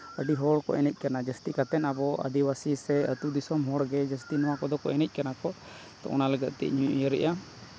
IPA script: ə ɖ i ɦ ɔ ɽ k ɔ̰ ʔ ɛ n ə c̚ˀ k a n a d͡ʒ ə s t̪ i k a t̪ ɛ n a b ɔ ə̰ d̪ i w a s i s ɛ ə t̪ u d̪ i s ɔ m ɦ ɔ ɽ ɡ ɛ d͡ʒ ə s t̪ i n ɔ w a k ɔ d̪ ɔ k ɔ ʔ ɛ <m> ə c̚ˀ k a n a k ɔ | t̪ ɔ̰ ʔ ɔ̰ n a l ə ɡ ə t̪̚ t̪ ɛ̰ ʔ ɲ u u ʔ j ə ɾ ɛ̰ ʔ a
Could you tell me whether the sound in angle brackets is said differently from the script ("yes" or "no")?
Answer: yes